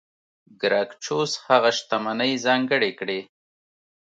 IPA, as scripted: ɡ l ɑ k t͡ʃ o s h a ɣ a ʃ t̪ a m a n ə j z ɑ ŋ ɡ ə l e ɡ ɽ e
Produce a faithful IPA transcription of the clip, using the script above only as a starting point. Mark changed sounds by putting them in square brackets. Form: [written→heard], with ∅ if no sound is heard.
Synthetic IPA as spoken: ɡ [l→ɾ] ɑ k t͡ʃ o s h a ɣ a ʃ t̪ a m a n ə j z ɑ ŋ ɡ ə [l→ɽ] e [ɡ→k] ɽ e